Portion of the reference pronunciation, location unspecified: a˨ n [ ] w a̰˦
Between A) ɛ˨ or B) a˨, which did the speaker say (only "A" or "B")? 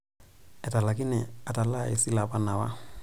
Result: B